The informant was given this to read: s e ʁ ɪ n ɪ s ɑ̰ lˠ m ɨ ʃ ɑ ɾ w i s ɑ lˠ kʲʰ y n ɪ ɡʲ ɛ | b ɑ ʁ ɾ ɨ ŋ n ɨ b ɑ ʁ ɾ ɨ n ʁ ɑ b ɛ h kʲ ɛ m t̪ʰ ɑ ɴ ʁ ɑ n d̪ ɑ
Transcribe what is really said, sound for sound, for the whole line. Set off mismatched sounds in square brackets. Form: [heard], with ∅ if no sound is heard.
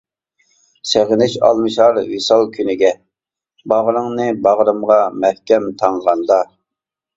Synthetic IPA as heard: s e ʁ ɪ n ɪ [ʃ] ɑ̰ lˠ m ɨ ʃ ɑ ɾ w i s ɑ lˠ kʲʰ y n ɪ ɡʲ ɛ | b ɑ ʁ ɾ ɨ ŋ n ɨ b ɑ ʁ ɾ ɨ [m] ʁ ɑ [m] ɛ h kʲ ɛ m t̪ʰ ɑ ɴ ʁ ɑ n d̪ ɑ